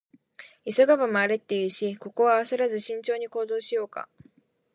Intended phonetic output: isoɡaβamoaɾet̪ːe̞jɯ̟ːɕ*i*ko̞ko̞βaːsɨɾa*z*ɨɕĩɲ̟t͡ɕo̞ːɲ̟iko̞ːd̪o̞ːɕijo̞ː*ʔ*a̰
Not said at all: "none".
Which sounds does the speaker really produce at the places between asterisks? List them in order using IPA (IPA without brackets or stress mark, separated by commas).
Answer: i, z, k